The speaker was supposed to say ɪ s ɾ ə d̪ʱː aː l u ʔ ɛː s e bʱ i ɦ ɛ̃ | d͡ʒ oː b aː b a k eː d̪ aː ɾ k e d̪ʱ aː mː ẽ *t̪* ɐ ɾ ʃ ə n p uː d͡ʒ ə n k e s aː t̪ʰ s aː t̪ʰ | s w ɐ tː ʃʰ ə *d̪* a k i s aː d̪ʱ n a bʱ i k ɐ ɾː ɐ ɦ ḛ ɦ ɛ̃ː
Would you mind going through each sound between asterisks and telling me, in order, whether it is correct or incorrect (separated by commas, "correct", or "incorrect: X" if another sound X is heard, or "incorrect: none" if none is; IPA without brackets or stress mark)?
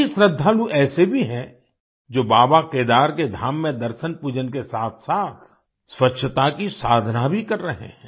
incorrect: d̪, incorrect: t̪